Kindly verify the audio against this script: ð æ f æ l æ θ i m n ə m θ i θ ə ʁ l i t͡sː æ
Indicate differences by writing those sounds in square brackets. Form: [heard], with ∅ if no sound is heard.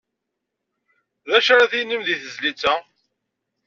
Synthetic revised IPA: ð æ [ʃ] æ [ɾ] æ θ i [∅] n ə m [ð] i θ ə [z] l i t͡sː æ